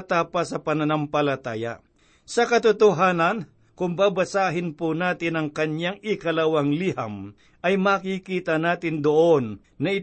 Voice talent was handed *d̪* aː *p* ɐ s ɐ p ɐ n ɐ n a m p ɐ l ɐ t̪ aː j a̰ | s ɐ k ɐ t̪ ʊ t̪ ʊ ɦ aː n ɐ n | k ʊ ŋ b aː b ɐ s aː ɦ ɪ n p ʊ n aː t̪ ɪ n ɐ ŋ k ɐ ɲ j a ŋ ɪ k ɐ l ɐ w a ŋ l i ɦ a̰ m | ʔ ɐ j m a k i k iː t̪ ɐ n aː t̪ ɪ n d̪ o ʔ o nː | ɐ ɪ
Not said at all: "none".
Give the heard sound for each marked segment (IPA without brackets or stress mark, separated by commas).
t̪, p